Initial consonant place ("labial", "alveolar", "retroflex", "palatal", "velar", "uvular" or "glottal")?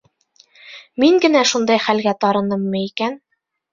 labial